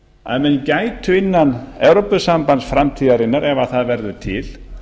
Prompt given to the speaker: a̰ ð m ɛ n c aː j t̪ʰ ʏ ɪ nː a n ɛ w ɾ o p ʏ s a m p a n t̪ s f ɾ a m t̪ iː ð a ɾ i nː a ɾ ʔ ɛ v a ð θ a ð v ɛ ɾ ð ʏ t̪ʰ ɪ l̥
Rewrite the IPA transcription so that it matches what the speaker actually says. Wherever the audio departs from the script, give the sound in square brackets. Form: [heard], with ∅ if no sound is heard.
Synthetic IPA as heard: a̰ ð m ɛ n c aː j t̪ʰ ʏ ɪ nː a n ɛ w ɾ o p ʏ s a m p a n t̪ s f ɾ a m [t̪ʰ] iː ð a ɾ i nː a ɾ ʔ ɛ v a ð θ a ð v ɛ ɾ ð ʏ t̪ʰ ɪ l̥